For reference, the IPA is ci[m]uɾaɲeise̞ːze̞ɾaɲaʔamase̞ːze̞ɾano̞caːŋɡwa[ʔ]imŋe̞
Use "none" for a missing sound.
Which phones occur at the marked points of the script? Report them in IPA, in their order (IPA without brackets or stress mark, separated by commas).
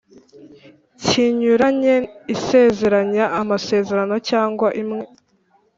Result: ɲ, ʔ